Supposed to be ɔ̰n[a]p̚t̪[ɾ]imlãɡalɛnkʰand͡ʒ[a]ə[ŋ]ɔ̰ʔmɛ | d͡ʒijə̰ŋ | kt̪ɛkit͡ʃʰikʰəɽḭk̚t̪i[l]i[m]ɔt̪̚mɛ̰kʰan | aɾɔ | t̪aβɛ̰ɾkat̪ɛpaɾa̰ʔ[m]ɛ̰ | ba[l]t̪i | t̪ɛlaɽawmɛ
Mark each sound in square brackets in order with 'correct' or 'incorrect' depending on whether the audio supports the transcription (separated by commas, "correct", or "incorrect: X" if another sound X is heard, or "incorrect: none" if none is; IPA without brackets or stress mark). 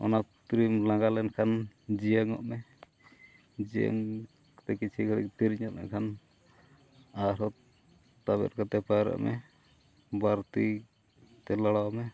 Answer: correct, correct, incorrect: i, correct, incorrect: ɾ, incorrect: ɲ, correct, incorrect: ɾ